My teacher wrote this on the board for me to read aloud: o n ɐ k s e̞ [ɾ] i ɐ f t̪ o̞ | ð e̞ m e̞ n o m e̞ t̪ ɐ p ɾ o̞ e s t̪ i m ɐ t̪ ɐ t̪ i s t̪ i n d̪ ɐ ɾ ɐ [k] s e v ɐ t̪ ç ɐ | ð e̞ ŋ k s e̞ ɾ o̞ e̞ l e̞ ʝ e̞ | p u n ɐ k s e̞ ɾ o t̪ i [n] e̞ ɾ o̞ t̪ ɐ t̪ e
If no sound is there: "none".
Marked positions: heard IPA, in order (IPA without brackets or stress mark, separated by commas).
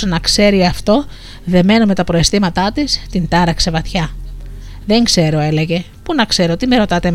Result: ɾ, k, m